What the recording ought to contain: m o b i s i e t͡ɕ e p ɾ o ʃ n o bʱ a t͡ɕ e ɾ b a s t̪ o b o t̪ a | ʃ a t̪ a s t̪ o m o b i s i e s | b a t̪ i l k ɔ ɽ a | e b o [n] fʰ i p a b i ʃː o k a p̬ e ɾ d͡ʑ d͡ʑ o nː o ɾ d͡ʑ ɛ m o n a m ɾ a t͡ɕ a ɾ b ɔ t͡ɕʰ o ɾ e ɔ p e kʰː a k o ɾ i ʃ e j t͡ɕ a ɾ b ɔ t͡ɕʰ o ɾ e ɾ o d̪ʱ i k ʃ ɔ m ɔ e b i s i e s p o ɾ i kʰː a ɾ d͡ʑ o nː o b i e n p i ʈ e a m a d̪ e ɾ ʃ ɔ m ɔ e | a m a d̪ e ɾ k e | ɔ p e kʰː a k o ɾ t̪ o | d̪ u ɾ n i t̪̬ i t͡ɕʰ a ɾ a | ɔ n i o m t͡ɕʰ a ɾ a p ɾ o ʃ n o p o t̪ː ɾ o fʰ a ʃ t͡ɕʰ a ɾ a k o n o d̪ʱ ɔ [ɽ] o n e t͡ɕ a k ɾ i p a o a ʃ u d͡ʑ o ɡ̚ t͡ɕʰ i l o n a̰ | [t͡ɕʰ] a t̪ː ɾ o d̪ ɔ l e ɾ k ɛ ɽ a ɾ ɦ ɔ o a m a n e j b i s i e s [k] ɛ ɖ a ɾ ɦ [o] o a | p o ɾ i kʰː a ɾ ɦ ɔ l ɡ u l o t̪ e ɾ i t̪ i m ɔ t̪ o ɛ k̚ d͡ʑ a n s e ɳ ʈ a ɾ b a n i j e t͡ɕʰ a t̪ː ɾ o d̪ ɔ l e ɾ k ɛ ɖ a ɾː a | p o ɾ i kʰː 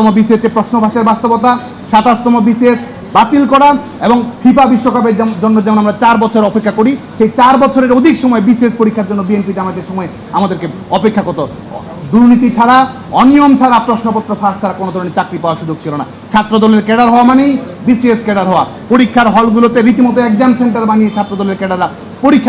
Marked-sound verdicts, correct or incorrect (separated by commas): incorrect, incorrect, correct, correct, incorrect